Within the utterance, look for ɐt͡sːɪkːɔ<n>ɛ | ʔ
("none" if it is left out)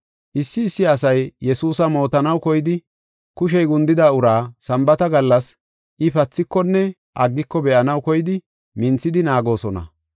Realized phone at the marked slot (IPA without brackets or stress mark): nː